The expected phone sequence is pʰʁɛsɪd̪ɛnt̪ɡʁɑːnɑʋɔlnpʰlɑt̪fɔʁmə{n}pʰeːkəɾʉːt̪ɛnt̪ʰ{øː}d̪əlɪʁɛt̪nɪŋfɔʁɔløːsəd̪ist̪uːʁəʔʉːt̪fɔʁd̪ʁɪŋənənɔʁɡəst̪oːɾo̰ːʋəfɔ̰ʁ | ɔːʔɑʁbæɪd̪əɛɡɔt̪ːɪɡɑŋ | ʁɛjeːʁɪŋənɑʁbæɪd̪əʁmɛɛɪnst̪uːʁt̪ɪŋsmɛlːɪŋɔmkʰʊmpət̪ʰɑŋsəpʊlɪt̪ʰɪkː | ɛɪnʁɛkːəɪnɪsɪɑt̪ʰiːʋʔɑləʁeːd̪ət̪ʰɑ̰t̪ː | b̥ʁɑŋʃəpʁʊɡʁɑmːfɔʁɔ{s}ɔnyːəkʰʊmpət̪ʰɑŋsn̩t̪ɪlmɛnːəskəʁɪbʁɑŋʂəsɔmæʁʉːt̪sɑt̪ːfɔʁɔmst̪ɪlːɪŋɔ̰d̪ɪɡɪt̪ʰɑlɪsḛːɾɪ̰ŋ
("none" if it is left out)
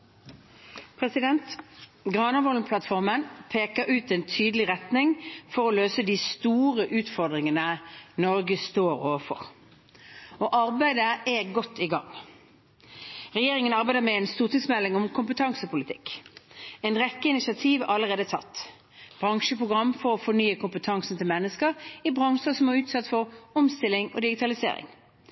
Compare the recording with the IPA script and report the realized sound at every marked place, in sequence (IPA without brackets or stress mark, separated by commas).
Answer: n, yː, f